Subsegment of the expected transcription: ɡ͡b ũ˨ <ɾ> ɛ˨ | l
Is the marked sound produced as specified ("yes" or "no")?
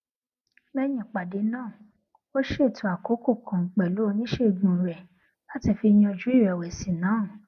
yes